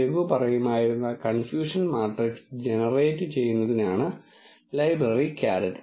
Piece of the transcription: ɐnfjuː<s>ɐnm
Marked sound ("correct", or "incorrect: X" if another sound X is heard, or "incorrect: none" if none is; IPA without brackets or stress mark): incorrect: ʂ